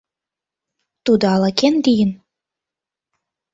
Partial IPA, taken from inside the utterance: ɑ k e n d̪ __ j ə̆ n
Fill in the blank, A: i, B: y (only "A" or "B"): A